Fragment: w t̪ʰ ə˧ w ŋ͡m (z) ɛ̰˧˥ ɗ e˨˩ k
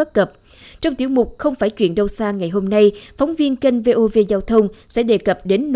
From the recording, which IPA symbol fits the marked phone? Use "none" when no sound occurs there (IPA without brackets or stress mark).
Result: s